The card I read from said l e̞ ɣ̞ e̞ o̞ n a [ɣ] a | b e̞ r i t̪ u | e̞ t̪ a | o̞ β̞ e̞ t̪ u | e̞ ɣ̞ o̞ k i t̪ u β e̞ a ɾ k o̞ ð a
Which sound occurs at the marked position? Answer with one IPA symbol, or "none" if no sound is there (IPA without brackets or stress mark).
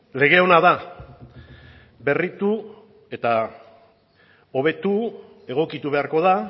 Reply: ð